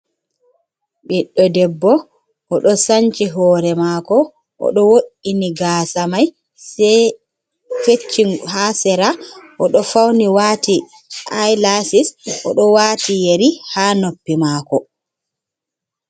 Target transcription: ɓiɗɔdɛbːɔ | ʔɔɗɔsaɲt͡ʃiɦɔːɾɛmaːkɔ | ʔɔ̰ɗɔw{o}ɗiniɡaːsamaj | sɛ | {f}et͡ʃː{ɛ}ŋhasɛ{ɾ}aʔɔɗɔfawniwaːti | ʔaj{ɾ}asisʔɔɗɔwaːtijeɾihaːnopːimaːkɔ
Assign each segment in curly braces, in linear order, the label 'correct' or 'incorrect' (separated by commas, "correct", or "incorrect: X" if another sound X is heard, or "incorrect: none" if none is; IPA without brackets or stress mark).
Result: correct, correct, incorrect: i, correct, incorrect: l